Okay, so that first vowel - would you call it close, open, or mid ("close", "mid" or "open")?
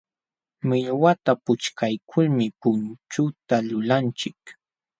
close